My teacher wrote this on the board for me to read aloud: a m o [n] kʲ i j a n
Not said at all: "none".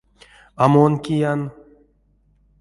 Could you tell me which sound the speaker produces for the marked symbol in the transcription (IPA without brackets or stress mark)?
n